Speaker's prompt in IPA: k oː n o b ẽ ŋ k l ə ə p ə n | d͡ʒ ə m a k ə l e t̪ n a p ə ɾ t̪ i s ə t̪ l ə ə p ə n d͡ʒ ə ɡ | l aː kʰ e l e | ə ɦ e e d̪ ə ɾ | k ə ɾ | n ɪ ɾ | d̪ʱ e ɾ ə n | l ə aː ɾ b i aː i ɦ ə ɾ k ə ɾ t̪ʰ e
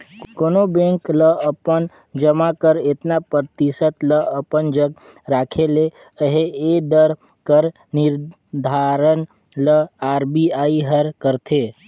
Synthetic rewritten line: k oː n o b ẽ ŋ k l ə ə p ə n | d͡ʒ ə m a k ə ɾ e t̪ n a p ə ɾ t̪ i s ə t̪ l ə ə p ə n d͡ʒ ə ɡ | ɾ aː kʰ e l e | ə ɦ e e d̪ ə ɾ | k ə ɾ | n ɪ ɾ | d̪ʱ a ɾ ə n | l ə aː ɾ b i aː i ɦ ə ɾ k ə ɾ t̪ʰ e